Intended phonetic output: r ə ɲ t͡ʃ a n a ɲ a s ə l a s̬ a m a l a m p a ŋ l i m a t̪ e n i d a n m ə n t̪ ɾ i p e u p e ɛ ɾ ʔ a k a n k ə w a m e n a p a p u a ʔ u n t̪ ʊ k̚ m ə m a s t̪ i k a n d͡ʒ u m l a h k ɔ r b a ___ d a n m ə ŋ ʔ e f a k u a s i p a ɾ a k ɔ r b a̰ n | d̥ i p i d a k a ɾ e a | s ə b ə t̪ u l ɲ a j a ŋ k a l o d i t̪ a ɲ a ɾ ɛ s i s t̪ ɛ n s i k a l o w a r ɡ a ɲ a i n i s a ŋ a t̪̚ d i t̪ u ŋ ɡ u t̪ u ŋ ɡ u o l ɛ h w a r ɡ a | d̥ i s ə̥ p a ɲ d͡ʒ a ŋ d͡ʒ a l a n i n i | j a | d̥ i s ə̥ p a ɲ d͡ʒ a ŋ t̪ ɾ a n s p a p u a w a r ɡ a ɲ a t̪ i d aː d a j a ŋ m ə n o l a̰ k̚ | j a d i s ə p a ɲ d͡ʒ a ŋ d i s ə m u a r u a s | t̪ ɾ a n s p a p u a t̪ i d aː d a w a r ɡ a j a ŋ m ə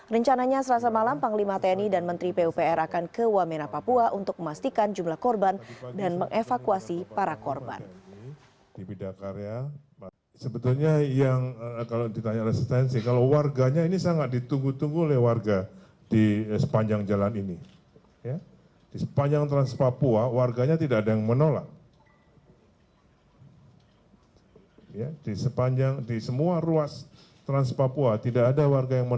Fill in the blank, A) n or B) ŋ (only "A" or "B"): A